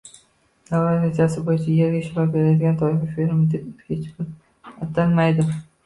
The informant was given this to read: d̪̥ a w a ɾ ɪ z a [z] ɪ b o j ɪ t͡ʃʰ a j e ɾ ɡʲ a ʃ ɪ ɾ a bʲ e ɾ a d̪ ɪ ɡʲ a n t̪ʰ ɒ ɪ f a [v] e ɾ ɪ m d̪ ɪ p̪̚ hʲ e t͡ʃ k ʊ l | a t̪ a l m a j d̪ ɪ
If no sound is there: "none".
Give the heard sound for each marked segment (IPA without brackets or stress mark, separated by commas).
s, f